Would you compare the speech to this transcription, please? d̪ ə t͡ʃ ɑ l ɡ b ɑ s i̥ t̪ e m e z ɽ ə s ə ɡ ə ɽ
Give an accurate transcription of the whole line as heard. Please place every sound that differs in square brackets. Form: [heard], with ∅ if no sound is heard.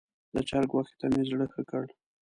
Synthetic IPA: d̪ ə t͡ʃ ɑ [ɾ] ɡ [w] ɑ [x] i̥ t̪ [a] m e z ɽ ə [x] ə [k] ə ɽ